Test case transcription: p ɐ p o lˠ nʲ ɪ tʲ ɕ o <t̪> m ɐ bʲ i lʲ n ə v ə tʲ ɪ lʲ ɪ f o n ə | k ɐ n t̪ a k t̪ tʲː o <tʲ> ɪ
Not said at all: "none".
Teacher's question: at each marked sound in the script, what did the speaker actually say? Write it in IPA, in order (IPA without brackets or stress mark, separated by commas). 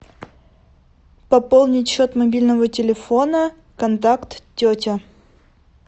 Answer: t̪, tʲ